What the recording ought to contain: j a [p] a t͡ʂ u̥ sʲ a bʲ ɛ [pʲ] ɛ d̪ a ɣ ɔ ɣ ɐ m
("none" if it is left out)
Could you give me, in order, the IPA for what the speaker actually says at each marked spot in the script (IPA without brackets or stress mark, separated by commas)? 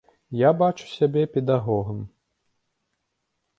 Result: b, pʲ